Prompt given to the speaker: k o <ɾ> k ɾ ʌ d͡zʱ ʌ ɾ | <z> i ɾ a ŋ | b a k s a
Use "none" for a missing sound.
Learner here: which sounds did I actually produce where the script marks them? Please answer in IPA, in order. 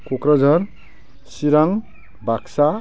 none, s

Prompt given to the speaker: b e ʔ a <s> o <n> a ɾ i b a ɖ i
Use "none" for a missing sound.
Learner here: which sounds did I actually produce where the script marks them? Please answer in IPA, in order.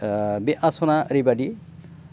s, n

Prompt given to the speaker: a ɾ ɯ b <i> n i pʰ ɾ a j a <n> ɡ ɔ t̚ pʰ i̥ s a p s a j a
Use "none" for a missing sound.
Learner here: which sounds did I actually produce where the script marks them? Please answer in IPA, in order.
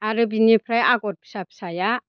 i, none

